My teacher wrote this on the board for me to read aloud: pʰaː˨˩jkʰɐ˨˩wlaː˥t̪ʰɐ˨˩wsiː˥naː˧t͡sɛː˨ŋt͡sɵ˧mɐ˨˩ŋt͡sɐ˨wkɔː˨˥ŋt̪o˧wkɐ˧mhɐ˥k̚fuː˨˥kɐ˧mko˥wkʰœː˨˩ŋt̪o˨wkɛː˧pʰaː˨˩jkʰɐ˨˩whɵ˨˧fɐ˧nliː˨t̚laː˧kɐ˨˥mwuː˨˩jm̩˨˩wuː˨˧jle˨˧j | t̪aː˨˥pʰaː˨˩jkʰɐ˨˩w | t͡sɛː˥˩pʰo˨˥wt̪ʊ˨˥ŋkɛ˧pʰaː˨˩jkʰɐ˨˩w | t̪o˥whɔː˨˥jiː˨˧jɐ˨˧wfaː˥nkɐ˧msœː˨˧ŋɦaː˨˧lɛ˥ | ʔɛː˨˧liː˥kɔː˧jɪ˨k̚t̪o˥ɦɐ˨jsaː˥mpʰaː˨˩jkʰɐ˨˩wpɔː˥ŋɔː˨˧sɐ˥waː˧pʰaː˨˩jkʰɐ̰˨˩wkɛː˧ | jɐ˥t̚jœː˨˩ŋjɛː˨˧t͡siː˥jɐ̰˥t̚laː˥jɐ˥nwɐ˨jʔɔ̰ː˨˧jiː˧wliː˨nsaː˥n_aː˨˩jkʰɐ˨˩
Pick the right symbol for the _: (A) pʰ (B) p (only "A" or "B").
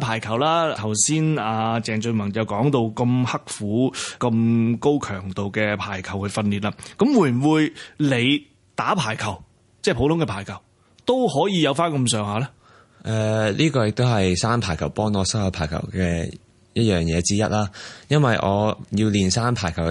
A